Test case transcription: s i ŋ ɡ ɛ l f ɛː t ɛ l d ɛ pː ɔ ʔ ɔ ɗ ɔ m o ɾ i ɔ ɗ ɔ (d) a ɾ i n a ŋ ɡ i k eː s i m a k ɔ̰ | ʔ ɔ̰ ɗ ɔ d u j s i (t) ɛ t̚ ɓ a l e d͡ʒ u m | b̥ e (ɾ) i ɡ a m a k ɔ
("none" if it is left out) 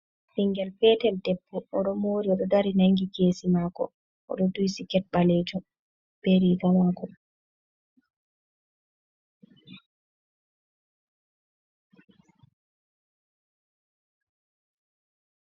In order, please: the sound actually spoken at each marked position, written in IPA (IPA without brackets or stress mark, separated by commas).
d, k, ɾ